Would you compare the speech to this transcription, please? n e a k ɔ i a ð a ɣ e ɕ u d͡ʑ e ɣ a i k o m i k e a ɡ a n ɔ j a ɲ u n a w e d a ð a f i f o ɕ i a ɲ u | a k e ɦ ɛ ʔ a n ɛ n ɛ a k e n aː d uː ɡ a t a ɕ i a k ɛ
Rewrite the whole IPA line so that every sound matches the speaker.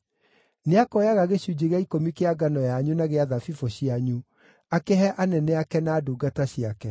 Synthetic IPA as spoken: n e a k ɔ j a ɣ a ɣ e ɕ u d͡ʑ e ɣ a i k o m i k e a ɡ a n ɔ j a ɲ u n a ɣ e a ð a f i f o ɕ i a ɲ u | a k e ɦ ɛ ʔ a n ɛ n ɛ a k ɛ n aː d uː ɡ a t a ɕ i a k ɛ